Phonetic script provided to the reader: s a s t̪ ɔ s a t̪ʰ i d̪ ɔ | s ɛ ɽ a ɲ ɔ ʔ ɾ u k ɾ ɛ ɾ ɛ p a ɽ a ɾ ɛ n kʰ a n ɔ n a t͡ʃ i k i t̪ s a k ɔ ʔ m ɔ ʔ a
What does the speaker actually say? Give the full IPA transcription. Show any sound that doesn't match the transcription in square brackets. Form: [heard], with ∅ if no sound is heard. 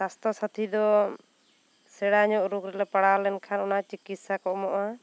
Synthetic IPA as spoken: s a s t̪ ɔ s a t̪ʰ i d̪ ɔ | s ɛ ɽ a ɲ ɔ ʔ ɾ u k ɾ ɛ [l] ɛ p a ɽ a [l] ɛ n kʰ a n ɔ n a t͡ʃ i k i t̪ s a k ɔ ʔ m ɔ ʔ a

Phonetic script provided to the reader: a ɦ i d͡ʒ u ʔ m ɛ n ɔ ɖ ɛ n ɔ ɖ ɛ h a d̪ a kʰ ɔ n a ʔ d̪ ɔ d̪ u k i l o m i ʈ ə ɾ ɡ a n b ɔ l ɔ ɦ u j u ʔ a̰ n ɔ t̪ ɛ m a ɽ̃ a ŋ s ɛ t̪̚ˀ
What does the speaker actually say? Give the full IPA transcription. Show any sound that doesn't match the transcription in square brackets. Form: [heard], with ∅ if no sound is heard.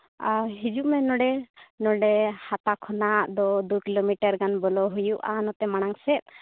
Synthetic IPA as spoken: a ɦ i d͡ʒ u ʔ m ɛ n ɔ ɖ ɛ n ɔ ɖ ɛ h a [t̪] a kʰ ɔ n a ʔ d̪ ɔ d̪ u k i l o m i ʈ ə ɾ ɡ a n b ɔ l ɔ ɦ u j u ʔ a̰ n ɔ t̪ ɛ m a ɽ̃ a ŋ s ɛ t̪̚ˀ

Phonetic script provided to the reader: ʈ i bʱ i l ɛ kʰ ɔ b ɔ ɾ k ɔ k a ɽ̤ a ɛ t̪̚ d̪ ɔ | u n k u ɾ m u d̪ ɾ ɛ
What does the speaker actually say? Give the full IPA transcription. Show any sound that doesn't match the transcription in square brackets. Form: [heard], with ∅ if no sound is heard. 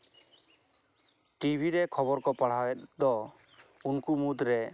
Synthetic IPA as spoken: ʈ i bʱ i [ɾ] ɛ kʰ ɔ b ɔ ɾ k ɔ [p] a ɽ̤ a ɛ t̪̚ d̪ ɔ | u n k u [∅] m u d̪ ɾ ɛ

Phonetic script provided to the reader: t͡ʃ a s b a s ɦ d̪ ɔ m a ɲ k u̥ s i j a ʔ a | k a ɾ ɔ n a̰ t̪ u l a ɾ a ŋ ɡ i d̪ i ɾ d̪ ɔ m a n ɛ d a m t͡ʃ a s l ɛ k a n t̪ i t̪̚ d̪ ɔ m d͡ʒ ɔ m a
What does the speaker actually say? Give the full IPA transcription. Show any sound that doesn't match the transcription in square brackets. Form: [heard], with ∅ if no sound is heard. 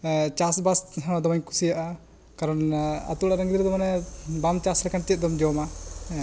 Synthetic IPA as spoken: t͡ʃ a s b a s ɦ d̪ ɔ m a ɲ k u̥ s i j a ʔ a | k a ɾ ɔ n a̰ t̪ u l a ɾ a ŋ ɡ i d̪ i ɾ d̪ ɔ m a n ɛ [b] a m t͡ʃ a s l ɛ k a n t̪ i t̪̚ d̪ ɔ m d͡ʒ ɔ m a

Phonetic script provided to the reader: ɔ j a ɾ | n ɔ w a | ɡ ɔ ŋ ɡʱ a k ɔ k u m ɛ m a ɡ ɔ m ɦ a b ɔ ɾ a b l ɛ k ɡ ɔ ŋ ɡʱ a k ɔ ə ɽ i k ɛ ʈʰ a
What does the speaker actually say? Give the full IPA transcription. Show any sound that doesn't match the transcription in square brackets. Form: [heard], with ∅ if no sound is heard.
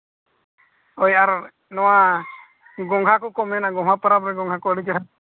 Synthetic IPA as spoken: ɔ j a ɾ | n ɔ w a | ɡ ɔ ŋ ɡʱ a k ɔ k [ɔ] m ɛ [n] a ɡ ɔ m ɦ a [p] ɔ ɾ a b [ɾ] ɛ [∅] ɡ ɔ ŋ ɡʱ a k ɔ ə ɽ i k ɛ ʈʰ a

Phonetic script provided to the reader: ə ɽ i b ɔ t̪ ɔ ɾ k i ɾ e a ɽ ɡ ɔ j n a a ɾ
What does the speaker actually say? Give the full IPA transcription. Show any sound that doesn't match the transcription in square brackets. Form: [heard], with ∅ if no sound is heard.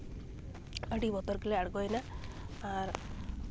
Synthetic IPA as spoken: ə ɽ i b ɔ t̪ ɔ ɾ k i [l] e a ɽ ɡ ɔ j n a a ɾ

